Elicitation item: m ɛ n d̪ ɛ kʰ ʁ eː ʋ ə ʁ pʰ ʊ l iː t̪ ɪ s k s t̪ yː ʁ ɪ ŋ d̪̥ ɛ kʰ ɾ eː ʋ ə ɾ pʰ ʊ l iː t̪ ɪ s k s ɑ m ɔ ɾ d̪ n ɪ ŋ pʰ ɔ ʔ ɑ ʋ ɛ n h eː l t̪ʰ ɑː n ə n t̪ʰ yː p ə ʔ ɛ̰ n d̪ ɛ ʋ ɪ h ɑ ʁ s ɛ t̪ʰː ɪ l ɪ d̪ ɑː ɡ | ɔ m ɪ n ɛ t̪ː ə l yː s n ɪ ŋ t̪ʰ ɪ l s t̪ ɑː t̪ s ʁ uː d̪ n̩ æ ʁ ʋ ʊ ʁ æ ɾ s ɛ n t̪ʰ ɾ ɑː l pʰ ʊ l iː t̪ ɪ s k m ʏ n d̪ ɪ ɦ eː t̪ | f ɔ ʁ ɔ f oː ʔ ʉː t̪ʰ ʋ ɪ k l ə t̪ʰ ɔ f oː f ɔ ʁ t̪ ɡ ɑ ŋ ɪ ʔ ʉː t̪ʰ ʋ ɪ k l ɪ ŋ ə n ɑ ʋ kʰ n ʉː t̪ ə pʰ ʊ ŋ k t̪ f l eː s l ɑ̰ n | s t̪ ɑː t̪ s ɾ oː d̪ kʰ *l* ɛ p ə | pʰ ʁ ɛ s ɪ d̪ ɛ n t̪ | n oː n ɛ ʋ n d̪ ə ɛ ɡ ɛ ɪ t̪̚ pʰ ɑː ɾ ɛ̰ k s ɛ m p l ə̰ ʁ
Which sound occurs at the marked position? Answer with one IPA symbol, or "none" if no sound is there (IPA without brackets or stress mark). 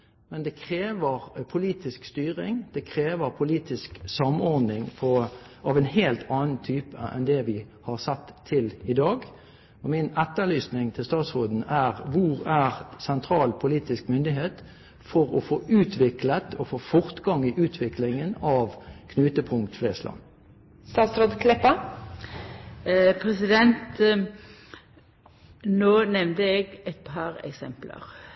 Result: l